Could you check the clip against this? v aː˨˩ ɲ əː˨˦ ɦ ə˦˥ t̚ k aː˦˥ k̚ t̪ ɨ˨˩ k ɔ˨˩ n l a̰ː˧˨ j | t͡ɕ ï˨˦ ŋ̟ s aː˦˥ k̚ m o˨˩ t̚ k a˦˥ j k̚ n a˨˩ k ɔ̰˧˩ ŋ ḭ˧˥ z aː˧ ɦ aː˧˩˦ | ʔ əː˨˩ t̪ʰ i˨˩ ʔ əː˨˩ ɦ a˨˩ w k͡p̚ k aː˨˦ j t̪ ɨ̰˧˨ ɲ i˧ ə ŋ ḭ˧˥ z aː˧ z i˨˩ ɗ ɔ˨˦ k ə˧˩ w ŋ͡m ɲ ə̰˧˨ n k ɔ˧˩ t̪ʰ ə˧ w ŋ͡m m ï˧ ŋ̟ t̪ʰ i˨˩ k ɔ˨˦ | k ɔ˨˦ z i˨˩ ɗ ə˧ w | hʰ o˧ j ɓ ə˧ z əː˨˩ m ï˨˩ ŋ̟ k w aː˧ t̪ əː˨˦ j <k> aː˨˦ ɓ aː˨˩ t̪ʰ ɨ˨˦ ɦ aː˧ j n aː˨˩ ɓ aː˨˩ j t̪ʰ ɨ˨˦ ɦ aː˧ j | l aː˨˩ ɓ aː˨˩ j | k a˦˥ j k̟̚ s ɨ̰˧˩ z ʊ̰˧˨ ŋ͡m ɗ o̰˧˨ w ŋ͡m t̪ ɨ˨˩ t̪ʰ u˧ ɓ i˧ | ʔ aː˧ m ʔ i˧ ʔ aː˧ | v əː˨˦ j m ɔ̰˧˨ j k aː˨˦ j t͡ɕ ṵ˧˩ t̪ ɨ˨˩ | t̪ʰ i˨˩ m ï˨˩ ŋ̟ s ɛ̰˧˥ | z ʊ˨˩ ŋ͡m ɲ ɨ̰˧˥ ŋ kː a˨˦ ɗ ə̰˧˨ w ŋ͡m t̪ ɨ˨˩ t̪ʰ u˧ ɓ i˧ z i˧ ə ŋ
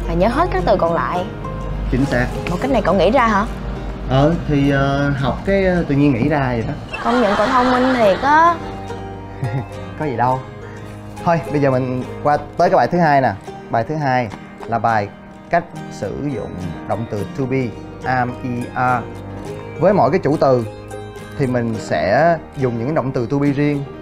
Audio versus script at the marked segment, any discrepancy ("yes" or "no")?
no